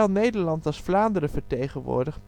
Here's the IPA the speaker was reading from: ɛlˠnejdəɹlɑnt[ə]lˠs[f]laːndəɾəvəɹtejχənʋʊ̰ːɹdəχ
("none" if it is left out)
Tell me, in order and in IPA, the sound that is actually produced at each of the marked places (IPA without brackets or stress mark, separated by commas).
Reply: ɑ, f